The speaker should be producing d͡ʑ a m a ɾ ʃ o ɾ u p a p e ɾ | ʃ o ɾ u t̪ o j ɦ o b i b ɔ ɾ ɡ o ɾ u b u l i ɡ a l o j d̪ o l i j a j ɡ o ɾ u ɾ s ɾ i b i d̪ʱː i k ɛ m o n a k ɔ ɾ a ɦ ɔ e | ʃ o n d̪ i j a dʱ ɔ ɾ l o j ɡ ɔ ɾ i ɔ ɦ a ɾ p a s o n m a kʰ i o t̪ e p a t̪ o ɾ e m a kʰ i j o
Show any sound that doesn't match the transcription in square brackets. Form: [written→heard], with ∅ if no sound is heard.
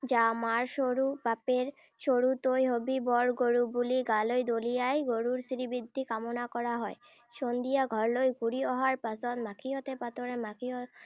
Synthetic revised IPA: d͡ʑ a m a ɾ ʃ o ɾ u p a p e ɾ | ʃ o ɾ u t̪ o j ɦ o b i b ɔ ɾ ɡ o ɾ u b u l i ɡ a l o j d̪ o l i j a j ɡ o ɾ u ɾ s ɾ i b i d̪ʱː i k [ɛ→a] m o n a k ɔ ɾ a ɦ ɔ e | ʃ o n d̪ i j a [dʱ→ɡʱ] ɔ ɾ l o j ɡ [ɔ→u] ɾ i ɔ ɦ a ɾ p a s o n m a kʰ i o t̪ e p a t̪ o ɾ e m a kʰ i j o